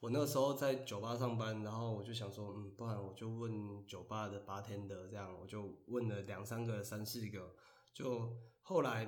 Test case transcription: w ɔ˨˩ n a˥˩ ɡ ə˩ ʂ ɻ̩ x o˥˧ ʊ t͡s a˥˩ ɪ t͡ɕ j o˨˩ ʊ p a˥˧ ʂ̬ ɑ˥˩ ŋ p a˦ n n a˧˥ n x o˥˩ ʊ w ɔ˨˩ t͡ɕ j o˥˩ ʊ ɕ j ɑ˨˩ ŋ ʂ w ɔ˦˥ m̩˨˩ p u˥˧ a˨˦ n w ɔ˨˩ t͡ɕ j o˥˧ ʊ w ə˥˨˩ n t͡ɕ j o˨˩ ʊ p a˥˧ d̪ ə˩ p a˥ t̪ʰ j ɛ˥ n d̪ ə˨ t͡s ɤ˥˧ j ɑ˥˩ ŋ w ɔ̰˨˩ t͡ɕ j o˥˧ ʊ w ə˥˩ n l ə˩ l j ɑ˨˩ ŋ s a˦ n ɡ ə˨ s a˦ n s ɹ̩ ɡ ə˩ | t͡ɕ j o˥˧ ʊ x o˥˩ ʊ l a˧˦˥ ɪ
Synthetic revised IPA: w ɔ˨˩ n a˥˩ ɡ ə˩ ʂ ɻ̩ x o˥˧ ʊ t͡s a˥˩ ɪ t͡ɕ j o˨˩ ʊ p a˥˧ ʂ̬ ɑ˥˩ ŋ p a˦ n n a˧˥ n x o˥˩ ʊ w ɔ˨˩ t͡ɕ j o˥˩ ʊ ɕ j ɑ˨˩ ŋ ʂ w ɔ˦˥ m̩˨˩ p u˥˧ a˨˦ n w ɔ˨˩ t͡ɕ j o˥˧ ʊ w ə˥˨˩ n t͡ɕ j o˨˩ ʊ p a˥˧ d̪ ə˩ p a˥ t̪ʰ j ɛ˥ n d̪ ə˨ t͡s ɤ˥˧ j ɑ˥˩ ŋ w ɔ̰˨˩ t͡ɕ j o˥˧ ʊ w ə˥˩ n l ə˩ l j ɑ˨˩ ŋ s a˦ n ɡ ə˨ s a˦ n s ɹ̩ ɡ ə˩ | t͡ɕ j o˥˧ ʊ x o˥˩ ʊ l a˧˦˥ ɪ